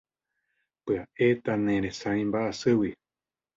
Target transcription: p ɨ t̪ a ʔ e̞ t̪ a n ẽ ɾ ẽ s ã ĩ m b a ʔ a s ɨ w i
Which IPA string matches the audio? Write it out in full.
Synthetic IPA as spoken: p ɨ a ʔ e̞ t̪ a n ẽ ɾ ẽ s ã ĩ m b a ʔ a s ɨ w i